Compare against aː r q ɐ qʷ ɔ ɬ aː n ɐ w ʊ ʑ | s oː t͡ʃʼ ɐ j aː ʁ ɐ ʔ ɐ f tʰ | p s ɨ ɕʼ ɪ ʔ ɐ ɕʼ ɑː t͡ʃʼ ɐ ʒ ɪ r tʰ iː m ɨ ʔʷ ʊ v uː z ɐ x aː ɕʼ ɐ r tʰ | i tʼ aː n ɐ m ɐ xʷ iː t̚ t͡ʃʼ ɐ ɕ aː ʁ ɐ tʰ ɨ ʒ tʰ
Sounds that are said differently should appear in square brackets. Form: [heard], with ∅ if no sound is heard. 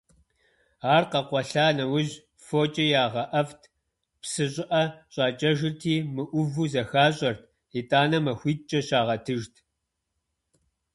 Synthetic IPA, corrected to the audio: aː r q ɐ qʷ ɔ ɬ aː n ɐ w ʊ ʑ | [f] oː t͡ʃʼ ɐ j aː ʁ ɐ ʔ ɐ f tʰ | p s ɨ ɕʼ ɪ ʔ ɐ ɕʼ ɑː t͡ʃʼ ɐ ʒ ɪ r tʰ iː m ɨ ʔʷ ʊ v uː z ɐ x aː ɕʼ ɐ r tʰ | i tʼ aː n ɐ m ɐ xʷ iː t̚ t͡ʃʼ ɐ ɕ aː ʁ ɐ tʰ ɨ ʒ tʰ

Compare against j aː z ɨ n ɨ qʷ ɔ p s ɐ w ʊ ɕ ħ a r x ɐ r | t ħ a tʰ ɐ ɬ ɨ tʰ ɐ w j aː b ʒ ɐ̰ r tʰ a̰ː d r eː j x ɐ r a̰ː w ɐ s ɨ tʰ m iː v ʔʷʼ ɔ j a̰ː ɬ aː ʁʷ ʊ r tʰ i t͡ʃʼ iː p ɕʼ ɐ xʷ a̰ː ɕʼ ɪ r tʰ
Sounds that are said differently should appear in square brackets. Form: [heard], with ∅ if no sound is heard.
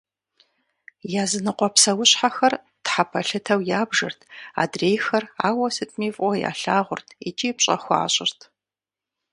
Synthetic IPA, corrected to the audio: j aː z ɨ n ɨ qʷ ɔ p s ɐ w ʊ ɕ ħ a [∅] x ɐ r | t ħ a [pʰ] ɐ ɬ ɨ tʰ ɐ w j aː b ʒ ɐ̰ r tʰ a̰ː d r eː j x ɐ r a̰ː w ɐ s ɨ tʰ m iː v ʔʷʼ ɔ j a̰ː ɬ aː ʁʷ ʊ r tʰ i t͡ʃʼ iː p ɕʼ ɐ xʷ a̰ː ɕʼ ɪ r tʰ

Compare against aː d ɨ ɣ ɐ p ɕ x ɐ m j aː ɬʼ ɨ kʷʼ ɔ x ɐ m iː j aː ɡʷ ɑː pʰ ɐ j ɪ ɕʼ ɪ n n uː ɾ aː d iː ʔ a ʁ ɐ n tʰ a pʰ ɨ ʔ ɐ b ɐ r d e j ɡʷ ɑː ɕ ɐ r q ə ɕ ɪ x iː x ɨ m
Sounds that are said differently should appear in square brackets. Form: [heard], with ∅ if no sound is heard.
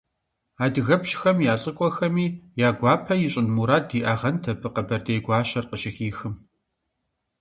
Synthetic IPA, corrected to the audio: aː d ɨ ɣ ɐ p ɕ x ɐ m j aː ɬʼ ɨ kʷʼ ɔ x ɐ m iː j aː ɡʷ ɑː pʰ ɐ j ɪ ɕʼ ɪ n [m] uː ɾ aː d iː ʔ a ʁ ɐ n tʰ [ɐ] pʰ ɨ [q] ɐ b ɐ r d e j ɡʷ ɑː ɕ ɐ r q ə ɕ ɪ x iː x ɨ m

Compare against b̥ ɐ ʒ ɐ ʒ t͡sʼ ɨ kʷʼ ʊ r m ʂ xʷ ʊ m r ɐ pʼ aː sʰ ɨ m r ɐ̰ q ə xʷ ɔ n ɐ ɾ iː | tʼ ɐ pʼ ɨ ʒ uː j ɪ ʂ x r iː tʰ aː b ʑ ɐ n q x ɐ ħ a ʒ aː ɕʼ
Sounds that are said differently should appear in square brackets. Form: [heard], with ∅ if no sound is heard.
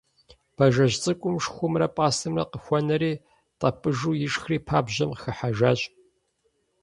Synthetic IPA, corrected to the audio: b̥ ɐ ʒ ɐ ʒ t͡sʼ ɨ kʷʼ ʊ [∅] m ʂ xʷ ʊ m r ɐ pʼ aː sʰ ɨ m r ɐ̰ q ə xʷ ɔ n ɐ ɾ iː | tʼ ɐ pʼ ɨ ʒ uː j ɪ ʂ x r iː [pʰ] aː b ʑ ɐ [m] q x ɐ ħ a ʒ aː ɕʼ

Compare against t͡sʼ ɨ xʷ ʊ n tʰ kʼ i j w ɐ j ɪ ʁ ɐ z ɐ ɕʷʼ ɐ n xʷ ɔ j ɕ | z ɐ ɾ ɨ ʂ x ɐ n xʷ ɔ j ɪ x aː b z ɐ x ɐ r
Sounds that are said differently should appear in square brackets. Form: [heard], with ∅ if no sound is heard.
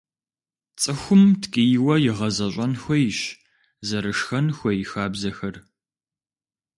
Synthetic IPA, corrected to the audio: t͡sʼ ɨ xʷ ʊ [m] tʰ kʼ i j w ɐ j ɪ ʁ ɐ z ɐ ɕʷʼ ɐ n xʷ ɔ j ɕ | z ɐ ɾ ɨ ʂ x ɐ n xʷ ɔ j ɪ x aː b z ɐ x ɐ r

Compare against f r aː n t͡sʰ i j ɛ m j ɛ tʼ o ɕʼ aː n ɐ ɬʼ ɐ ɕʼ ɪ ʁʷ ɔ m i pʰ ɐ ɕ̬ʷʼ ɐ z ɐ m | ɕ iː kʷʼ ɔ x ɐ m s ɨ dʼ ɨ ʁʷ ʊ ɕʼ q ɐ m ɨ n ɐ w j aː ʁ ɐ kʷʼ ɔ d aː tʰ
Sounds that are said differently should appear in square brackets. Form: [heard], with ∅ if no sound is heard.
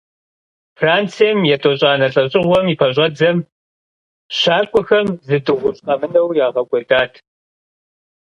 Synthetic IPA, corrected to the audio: f r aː n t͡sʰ i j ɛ m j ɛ tʼ o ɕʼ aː n ɐ ɬʼ ɐ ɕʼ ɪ ʁʷ ɔ m i pʰ ɐ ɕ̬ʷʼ ɐ [d͡z] ɐ m | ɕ [aː] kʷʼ ɔ x ɐ m [z] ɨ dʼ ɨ ʁʷ ʊ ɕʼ q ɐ m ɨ n ɐ w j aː ʁ ɐ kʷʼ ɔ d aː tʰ

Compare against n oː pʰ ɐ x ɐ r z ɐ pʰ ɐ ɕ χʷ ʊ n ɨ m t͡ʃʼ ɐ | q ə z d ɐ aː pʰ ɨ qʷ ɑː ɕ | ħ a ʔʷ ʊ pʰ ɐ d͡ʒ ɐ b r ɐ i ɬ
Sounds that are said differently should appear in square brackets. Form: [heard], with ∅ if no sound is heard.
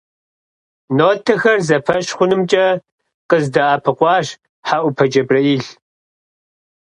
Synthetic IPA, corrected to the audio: n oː [tʰ] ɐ x ɐ r z ɐ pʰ ɐ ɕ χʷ ʊ n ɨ m t͡ʃʼ ɐ | q ə z d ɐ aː pʰ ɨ qʷ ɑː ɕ | ħ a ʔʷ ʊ pʰ ɐ d͡ʒ ɐ b r ɐ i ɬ

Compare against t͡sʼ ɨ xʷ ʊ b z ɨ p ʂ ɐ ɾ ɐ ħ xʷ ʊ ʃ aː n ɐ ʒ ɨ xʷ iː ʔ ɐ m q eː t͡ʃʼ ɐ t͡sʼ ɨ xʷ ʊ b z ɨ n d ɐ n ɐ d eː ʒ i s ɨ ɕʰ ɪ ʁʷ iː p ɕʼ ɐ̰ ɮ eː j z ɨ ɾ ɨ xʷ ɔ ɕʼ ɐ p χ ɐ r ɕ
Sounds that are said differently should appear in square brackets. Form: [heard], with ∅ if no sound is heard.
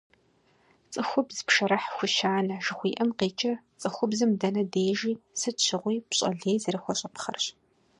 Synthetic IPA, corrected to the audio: t͡sʼ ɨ xʷ ʊ b z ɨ p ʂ ɐ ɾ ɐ ħ xʷ ʊ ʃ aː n ɐ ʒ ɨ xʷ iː ʔ ɐ m q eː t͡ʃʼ ɐ t͡sʼ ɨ xʷ ʊ b z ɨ [m] d ɐ n ɐ d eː ʒ [iː] s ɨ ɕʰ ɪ ʁʷ iː p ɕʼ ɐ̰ ɮ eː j z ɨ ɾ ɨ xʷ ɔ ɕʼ ɐ p χ ɐ r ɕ

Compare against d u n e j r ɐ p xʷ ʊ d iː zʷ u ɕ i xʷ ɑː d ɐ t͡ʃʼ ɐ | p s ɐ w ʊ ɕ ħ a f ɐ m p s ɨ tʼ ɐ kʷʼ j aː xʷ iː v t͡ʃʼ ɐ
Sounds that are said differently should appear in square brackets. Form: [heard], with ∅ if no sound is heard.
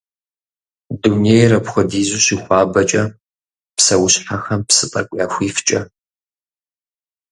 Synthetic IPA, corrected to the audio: d u n e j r ɐ p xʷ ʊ d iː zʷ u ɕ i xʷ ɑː [b] ɐ t͡ʃʼ ɐ | p s ɐ w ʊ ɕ ħ a [x] ɐ m p s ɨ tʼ ɐ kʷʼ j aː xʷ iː [f] t͡ʃʼ ɐ

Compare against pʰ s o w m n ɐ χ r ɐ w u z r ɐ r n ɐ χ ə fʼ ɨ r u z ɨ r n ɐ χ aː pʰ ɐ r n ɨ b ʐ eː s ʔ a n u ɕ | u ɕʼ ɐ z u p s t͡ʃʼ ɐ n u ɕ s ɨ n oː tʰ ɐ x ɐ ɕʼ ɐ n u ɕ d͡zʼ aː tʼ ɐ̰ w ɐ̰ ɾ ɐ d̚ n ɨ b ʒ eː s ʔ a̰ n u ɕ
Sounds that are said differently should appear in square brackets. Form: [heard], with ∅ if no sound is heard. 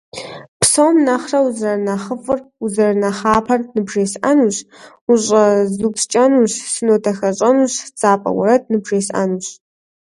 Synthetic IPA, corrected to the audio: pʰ s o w m n ɐ χ r ɐ w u z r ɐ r n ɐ χ ə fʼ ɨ r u z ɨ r n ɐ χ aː pʰ ɐ r n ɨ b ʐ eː s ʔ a n u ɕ | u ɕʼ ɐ z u p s t͡ʃʼ ɐ n u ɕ s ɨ n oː tʰ ɐ x ɐ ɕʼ ɐ n u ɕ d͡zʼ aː [pʼ] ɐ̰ w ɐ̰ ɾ ɐ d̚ n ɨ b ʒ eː s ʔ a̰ n u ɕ

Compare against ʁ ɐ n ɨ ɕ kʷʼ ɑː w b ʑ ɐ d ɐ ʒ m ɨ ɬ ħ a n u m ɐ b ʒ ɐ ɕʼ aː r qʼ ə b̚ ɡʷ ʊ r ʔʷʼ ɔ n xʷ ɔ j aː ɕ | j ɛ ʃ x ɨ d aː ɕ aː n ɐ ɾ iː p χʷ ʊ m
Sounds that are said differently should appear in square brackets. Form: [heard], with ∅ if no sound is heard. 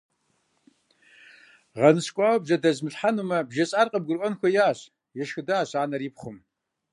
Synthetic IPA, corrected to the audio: ʁ ɐ n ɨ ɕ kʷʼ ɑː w b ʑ ɐ d ɐ [z] m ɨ ɬ ħ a n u m ɐ b ʒ ɐ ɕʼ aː r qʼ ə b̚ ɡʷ ʊ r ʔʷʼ ɔ n xʷ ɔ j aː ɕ | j ɛ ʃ x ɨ d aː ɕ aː n ɐ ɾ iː p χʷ ʊ m

